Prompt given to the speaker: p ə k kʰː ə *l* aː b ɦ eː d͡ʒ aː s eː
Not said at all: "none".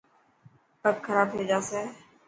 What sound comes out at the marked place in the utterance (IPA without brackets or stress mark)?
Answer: ɾ